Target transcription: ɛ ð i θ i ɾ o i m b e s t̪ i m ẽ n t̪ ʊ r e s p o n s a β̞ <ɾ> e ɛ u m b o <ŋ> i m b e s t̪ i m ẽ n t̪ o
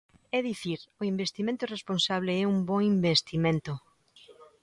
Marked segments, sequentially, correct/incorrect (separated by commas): incorrect, correct